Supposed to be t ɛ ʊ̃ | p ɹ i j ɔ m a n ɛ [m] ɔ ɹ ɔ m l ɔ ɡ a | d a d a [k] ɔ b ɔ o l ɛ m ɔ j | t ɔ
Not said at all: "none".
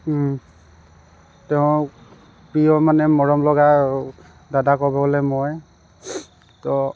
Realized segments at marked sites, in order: m, k

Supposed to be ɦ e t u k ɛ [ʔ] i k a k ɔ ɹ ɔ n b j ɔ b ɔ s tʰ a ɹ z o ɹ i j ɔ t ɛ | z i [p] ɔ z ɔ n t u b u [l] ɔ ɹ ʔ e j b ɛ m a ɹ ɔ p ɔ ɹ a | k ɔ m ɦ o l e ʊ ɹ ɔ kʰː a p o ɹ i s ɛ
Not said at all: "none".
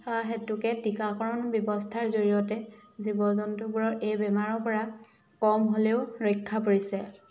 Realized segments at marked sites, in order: t, b, ɹ

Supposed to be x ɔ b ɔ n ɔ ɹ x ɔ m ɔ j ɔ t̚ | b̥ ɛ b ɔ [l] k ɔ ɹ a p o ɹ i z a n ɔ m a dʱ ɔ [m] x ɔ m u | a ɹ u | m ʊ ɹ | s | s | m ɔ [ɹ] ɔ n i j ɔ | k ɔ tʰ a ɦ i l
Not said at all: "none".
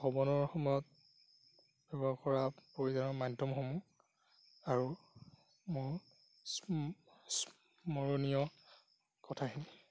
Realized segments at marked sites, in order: none, m, ɹ

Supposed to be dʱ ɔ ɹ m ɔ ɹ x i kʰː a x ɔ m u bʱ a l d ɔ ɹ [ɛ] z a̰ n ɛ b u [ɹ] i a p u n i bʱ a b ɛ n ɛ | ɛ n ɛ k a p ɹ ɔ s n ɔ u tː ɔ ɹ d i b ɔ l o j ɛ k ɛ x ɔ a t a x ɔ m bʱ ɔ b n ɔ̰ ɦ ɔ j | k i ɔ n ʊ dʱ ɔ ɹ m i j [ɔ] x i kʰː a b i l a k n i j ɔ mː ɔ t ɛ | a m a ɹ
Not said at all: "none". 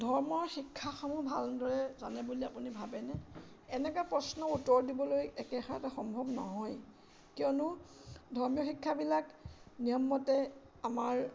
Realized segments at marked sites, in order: ɛ, l, ɔ

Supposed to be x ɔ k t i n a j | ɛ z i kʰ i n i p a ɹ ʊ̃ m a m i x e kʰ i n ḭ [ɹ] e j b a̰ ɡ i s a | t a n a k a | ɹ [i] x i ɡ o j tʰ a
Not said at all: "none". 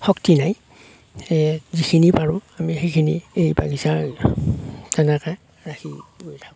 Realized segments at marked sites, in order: none, a

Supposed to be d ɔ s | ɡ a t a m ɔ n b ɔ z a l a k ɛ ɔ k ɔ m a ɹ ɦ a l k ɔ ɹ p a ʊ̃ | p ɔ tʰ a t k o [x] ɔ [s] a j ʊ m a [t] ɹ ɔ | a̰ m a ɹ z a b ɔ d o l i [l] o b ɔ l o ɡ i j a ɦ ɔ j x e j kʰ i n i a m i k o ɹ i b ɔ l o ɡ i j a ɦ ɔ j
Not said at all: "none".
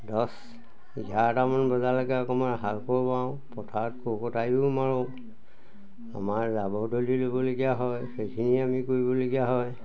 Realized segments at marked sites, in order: k, t, none, l

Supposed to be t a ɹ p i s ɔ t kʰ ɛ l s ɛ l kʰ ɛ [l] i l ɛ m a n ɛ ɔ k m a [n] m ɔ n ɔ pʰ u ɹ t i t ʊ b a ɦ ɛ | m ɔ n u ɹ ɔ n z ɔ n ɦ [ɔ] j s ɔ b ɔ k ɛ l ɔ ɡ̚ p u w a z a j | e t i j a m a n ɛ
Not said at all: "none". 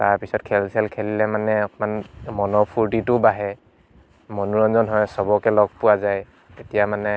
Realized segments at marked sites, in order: l, n, ɔ

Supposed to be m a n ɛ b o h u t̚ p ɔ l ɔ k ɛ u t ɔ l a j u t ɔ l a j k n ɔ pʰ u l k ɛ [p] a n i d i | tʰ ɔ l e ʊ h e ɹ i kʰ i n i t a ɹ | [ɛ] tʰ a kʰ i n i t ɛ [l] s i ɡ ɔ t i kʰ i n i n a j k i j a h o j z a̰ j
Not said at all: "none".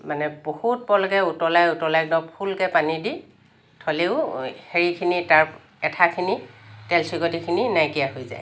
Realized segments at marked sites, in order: p, ɛ, l

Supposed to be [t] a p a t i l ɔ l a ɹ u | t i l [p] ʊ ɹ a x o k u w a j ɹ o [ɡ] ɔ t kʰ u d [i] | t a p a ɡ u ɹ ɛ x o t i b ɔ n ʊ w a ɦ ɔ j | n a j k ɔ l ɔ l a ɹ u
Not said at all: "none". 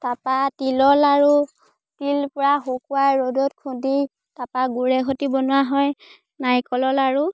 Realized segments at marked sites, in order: t, p, d, i

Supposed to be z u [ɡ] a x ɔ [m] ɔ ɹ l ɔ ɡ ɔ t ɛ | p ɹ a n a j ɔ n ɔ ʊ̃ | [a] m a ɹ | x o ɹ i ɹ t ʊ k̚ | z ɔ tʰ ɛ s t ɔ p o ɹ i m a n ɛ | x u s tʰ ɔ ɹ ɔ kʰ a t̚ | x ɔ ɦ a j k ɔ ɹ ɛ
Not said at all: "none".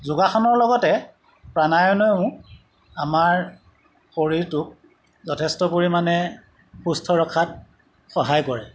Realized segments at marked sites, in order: ɡ, n, a

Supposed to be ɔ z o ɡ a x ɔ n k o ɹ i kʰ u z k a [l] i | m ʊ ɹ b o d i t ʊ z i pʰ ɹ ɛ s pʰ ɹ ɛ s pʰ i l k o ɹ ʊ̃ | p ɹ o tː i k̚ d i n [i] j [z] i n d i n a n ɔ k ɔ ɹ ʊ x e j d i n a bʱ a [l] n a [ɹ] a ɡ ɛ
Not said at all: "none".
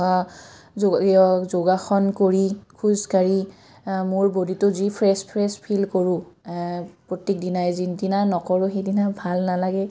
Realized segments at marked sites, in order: ɹ, a, z, l, l

